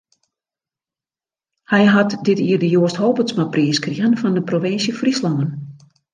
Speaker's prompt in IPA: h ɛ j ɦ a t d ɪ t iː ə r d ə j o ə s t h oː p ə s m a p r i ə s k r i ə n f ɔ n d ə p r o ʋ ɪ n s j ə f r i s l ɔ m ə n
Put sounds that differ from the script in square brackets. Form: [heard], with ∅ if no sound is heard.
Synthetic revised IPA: h ɛ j ɦ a t d ɪ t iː ə r d ə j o ə s t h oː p ə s m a p r i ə s k r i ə n f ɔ n d ə p r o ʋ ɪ n s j ə f r i s l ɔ [ŋ] ə n